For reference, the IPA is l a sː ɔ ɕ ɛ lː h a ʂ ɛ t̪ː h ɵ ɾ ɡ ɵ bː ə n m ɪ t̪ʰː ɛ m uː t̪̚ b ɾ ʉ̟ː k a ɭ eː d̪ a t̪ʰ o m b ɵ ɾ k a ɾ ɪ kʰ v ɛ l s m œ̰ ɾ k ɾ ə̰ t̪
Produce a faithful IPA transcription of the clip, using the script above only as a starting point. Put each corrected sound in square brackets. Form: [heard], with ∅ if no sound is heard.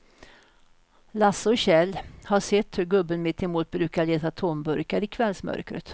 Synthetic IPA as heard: l a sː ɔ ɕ ɛ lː h a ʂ ɛ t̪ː h ɵ ɾ ɡ ɵ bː ə n m ɪ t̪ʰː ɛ m uː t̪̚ b ɾ ʉ̟ː k a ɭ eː [t̪] a t̪ʰ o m b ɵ ɾ k a ɾ ɪ kʰ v ɛ l s m œ̰ ɾ k ɾ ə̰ t̪